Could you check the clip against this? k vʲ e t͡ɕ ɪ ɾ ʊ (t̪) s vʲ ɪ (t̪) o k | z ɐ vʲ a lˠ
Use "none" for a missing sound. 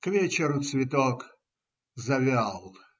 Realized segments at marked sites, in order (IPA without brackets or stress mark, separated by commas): t̪, t̪